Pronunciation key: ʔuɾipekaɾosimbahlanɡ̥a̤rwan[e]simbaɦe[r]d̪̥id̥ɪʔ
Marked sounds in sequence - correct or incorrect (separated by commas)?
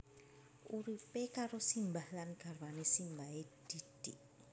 correct, incorrect